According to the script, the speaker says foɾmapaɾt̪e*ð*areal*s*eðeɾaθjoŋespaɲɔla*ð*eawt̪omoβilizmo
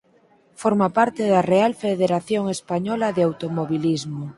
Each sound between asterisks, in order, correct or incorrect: correct, incorrect: f, correct

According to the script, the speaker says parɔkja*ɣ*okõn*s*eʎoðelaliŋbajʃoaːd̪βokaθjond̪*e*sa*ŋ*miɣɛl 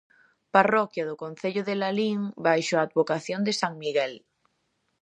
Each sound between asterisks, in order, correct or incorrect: incorrect: ð, incorrect: θ, correct, correct

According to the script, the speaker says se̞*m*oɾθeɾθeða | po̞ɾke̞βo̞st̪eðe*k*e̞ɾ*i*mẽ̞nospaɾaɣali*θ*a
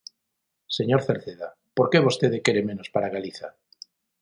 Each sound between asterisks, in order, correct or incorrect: incorrect: ɲ, correct, incorrect: e, correct

